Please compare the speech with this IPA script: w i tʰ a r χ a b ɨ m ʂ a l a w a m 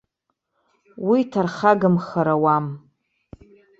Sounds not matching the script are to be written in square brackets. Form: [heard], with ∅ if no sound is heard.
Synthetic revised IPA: w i tʰ a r χ a [ɡ] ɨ m [χ] a [ɾ] a w a m